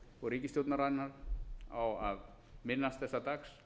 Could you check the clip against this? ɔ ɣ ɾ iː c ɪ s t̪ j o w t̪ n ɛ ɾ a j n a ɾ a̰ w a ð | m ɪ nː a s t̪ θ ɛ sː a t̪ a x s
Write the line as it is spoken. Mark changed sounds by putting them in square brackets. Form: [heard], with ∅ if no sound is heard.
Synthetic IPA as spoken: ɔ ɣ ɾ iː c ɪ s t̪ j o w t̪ n [a] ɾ a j n a ɾ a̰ w a ð | m ɪ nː a s t̪ θ ɛ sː a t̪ a [k] s